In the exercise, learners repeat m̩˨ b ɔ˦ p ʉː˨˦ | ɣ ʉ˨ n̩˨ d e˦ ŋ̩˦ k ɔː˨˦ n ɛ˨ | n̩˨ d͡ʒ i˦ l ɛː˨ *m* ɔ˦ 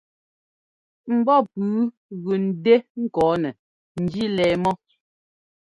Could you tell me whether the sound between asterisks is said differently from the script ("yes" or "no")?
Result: no